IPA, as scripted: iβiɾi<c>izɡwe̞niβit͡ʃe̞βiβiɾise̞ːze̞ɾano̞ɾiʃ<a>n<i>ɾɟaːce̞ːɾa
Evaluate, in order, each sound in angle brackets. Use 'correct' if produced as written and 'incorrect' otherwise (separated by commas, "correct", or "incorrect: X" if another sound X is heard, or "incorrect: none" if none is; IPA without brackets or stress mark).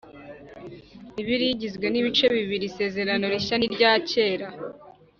incorrect: ɟ, correct, correct